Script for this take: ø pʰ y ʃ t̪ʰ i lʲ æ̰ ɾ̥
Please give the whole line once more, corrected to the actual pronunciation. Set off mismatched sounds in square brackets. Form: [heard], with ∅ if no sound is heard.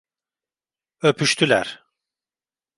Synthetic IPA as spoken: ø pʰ y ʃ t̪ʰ [y] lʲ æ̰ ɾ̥